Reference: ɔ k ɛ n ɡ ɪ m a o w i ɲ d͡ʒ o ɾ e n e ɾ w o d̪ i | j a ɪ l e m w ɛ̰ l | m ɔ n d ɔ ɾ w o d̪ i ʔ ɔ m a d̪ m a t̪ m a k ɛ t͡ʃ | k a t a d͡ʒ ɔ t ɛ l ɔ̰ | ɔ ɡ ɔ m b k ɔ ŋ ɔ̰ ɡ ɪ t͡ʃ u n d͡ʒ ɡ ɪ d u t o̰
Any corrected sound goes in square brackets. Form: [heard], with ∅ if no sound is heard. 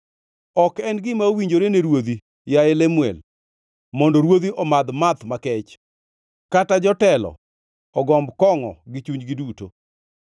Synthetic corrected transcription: ɔ k ɛ n ɡ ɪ m a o w i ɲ d͡ʒ o ɾ e n e ɾ w o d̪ i | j a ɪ l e m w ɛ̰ l | m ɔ n d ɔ ɾ w o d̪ i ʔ ɔ m a d̪ m a t̪ m a k ɛ t͡ʃ | k a t a d͡ʒ ɔ t ɛ l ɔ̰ | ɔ ɡ ɔ m b k ɔ ŋ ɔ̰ ɡ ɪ t͡ʃ u [ɲ] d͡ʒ ɡ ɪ d u t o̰